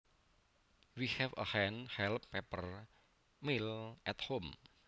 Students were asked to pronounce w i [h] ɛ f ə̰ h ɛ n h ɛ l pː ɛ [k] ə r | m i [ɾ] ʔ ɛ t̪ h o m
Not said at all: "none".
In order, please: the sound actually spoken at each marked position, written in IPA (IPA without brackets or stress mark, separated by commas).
h, p, l